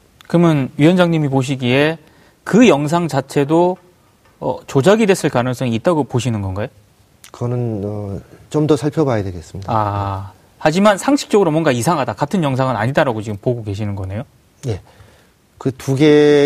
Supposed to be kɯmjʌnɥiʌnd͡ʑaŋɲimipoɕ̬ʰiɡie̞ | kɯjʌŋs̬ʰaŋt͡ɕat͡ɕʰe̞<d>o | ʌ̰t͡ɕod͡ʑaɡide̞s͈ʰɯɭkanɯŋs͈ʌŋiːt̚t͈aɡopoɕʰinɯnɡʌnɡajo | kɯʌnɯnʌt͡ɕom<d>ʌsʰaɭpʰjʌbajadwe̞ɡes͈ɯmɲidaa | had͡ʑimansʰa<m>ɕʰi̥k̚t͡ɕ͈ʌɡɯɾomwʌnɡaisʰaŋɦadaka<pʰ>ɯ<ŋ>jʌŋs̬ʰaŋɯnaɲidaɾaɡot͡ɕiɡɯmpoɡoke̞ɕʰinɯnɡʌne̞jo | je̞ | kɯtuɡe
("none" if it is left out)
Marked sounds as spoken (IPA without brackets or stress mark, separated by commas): d, d, ŋ, tʰ, n